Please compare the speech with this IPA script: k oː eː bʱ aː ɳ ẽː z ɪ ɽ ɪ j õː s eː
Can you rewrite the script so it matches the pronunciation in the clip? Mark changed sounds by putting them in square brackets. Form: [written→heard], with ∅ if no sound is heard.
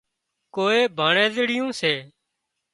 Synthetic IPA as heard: k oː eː bʱ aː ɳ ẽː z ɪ ɽ ɪ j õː s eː